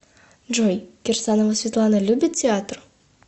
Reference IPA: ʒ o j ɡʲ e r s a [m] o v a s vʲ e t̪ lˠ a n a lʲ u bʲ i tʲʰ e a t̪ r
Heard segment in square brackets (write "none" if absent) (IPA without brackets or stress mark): n